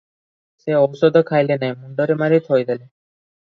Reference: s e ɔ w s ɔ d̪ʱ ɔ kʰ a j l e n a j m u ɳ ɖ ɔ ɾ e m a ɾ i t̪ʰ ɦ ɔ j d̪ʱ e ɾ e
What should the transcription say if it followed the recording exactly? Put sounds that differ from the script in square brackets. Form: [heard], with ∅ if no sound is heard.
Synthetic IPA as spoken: s e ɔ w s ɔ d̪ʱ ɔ kʰ a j l e n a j m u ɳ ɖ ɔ ɾ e m a ɾ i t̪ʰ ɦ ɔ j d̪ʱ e [l] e